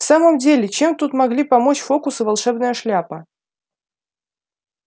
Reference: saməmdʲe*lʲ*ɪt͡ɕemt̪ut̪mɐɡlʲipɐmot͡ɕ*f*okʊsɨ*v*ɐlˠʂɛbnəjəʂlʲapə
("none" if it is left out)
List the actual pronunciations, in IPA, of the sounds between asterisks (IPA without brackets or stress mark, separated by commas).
lʲ, f, v